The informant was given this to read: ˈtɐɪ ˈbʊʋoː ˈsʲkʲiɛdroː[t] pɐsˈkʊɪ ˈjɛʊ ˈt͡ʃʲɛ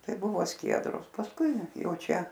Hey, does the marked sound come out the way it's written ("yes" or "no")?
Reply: no